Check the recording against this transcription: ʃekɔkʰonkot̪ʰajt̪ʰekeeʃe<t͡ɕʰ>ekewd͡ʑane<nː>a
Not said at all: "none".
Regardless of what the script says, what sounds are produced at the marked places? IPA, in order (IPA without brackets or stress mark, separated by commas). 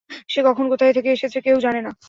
t͡ɕʰ, n